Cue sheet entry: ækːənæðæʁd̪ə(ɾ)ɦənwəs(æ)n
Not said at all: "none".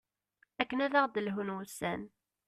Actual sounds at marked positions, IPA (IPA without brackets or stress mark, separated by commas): l, æ